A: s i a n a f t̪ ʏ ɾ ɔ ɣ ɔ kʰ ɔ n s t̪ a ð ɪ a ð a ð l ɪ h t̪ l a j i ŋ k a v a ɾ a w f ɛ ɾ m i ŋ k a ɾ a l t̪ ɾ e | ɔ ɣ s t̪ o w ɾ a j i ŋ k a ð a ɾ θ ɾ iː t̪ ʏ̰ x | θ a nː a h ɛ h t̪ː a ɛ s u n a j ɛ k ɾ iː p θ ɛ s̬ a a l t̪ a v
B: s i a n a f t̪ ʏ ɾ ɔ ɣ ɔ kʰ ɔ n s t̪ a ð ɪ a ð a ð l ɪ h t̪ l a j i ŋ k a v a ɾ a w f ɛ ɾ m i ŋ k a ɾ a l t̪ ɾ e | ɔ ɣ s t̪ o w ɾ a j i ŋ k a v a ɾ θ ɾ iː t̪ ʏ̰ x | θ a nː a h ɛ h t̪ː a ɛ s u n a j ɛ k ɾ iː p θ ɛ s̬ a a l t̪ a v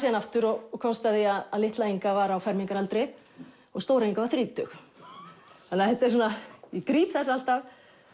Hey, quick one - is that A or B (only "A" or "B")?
B